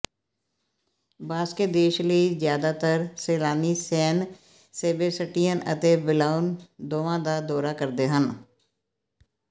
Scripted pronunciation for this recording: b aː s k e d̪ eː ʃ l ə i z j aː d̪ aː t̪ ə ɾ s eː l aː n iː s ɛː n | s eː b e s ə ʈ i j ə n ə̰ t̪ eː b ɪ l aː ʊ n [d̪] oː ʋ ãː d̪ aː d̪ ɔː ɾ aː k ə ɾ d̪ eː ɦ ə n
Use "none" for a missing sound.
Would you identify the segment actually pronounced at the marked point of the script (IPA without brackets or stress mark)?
d̪